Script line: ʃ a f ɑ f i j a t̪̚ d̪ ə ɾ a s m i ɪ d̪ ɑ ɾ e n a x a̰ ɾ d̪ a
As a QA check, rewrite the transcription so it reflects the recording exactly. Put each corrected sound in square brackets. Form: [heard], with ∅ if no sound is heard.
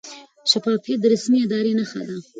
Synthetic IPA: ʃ a f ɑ f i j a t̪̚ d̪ ə ɾ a s m i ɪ d̪ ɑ ɾ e n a x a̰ [∅] d̪ a